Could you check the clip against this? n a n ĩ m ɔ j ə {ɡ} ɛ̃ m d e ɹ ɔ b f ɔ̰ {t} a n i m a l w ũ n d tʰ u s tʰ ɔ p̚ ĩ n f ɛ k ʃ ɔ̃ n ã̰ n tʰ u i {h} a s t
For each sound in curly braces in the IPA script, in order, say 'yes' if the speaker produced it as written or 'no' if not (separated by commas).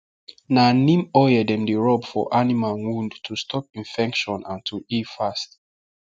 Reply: no, no, no